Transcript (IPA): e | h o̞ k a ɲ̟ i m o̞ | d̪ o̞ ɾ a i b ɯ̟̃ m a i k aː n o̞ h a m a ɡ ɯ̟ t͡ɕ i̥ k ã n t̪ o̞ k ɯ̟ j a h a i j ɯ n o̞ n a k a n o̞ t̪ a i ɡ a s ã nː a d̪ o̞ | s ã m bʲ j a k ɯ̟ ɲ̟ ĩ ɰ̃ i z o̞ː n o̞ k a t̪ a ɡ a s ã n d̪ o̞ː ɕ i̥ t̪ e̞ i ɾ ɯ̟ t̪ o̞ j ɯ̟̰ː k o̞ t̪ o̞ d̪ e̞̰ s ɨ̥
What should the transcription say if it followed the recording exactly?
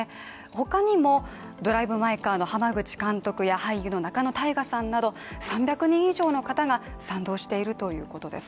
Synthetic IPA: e | h o̞ k a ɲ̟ i m o̞ | d̪ o̞ ɾ a i b ɯ̟ m a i k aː n o̞ h a m a ɡ ɯ̟ t͡ɕ i̥ k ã n t̪ o̞ k ɯ̟ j a h a i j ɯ n o̞ n a k a n o̞ t̪ a i ɡ a s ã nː a d̪ o̞ | s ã m bʲ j a k ɯ̟ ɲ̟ ĩ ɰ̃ i ʑ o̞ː n o̞ k a t̪ a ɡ a s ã n d̪ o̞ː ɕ i̥ t̪ e̞ i ɾ ɯ̟ t̪ o̞ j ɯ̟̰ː k o̞ t̪ o̞ d̪ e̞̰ s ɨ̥